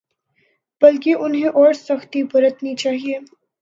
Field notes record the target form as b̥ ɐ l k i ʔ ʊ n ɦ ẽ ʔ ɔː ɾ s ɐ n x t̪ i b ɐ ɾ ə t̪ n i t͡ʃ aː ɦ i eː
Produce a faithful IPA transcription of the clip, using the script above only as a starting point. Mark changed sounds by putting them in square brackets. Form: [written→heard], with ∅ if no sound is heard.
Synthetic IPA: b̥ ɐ l k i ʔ ʊ n ɦ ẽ ʔ ɔː ɾ s ɐ [n→∅] x t̪ i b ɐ ɾ ə t̪ n i t͡ʃ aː ɦ i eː